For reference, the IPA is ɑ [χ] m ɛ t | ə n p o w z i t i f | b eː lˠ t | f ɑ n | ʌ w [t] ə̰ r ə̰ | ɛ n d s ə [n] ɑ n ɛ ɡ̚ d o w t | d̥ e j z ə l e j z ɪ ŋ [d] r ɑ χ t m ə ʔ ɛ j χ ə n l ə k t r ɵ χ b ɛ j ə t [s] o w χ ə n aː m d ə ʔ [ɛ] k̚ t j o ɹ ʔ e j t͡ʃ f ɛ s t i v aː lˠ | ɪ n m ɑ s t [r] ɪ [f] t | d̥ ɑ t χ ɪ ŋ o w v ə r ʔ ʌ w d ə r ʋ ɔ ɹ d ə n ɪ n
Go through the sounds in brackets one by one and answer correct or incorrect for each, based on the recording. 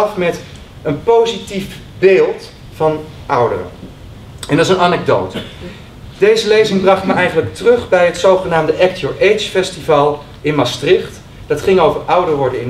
incorrect: f, incorrect: d, correct, incorrect: b, correct, correct, correct, incorrect: χ

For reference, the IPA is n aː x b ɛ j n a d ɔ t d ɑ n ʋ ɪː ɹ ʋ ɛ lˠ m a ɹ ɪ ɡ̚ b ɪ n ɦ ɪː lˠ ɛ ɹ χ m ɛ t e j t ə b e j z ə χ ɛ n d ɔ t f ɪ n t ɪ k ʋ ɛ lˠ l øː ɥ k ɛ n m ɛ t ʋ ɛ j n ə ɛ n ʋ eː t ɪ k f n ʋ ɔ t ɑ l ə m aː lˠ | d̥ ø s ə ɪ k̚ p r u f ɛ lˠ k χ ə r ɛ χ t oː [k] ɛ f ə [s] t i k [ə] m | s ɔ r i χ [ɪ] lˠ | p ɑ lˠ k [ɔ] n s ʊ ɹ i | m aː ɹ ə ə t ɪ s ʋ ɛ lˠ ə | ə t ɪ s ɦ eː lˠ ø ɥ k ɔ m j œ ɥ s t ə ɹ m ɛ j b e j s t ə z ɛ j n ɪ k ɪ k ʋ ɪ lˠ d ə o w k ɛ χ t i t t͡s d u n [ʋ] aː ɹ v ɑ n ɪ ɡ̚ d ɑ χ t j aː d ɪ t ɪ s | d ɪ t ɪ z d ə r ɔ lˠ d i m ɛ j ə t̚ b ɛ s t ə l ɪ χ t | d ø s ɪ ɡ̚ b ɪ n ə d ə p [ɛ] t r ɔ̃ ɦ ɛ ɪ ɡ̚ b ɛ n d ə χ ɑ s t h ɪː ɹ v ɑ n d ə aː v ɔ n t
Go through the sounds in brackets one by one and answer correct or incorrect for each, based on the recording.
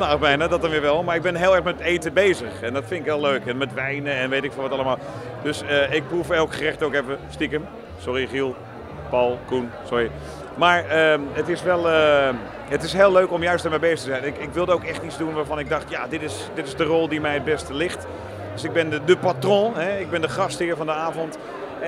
correct, correct, correct, incorrect: i, incorrect: u, correct, incorrect: a

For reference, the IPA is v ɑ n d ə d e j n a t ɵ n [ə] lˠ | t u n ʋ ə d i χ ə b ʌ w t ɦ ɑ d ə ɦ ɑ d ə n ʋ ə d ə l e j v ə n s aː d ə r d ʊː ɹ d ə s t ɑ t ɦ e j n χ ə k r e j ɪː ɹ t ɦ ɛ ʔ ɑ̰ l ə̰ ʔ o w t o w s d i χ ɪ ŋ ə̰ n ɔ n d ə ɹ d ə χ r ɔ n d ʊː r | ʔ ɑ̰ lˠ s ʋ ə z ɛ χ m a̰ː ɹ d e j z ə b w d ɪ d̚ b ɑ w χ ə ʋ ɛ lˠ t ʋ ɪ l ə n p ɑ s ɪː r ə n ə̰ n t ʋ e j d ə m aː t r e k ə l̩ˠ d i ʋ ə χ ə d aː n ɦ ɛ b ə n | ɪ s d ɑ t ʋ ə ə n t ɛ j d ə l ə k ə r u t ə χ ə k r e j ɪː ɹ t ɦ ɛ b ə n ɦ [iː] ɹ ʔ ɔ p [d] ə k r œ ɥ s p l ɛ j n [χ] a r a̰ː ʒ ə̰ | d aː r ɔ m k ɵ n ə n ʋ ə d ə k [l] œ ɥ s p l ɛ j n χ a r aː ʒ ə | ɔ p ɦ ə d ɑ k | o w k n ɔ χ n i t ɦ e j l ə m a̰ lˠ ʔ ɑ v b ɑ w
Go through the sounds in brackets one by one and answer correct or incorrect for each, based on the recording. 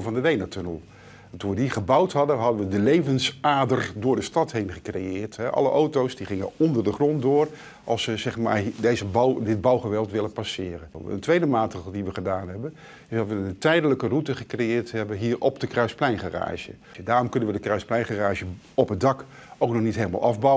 correct, correct, correct, correct, incorrect: r

